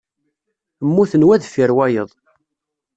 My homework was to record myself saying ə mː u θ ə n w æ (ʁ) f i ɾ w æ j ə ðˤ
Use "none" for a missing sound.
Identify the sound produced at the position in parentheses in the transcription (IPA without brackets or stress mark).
ð